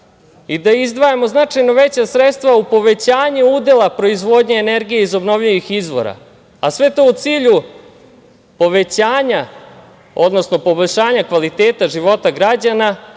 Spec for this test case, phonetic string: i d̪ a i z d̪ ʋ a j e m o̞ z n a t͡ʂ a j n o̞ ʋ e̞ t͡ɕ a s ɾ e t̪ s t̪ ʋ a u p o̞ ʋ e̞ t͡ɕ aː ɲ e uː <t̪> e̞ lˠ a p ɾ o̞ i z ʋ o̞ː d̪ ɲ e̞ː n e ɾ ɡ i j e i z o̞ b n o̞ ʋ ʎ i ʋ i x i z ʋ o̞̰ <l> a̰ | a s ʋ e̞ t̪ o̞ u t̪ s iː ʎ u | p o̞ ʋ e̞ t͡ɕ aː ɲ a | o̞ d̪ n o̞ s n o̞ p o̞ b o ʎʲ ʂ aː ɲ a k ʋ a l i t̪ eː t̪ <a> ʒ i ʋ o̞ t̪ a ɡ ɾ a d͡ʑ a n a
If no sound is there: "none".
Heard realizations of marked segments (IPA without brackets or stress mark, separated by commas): d̪, ɾ, a